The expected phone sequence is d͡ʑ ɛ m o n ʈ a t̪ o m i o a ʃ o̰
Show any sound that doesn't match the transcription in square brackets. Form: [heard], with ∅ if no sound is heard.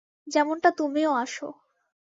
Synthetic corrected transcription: d͡ʑ ɛ m o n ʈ a t̪ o m i o a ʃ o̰